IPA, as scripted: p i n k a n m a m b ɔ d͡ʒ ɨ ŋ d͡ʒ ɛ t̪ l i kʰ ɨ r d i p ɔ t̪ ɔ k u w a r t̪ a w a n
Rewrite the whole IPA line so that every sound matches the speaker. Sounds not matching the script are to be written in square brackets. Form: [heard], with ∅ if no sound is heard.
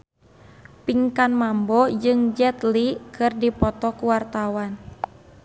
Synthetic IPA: p i [ŋ] k a n m a m b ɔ d͡ʒ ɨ ŋ d͡ʒ ɛ t̪ l i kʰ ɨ r d i p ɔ t̪ ɔ k u w a r t̪ a w a n